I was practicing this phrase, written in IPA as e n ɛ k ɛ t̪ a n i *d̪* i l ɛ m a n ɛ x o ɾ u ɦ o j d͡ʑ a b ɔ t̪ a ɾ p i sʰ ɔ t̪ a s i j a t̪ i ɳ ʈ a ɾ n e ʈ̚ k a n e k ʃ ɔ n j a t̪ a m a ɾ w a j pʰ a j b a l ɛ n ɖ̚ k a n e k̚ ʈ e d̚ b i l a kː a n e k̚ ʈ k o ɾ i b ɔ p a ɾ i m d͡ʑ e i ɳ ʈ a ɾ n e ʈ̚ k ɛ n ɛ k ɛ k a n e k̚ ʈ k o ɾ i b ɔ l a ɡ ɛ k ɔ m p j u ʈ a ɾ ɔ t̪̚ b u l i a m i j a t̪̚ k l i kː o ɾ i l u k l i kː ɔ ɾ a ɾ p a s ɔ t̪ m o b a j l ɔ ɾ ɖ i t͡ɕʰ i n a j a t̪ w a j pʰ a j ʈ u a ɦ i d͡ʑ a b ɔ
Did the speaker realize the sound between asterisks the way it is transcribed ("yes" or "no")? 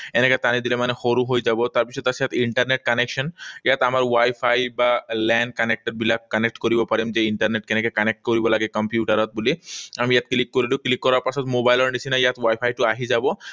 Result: yes